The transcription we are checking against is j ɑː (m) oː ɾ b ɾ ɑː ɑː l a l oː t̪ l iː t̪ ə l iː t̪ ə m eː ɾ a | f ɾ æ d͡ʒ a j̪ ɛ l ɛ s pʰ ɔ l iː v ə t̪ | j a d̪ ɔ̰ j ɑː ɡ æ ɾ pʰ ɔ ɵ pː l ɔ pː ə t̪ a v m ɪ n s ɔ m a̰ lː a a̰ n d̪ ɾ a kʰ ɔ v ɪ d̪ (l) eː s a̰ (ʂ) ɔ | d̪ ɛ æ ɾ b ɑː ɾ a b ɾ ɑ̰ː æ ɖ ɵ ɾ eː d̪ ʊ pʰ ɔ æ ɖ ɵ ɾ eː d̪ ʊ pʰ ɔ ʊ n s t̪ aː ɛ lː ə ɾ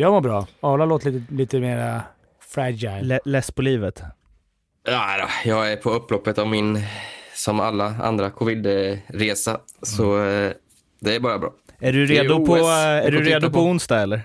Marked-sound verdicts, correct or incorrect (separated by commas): correct, incorrect, incorrect